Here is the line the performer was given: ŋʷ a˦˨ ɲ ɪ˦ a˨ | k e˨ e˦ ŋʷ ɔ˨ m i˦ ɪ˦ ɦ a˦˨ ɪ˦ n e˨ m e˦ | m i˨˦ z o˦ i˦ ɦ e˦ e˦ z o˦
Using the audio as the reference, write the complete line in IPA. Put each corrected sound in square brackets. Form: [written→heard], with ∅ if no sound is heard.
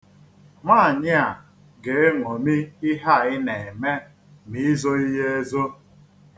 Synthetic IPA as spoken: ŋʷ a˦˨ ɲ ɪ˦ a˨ | [k→ɡ] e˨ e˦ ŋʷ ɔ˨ m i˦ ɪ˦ ɦ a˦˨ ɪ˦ n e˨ m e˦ | m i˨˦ z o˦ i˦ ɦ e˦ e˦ z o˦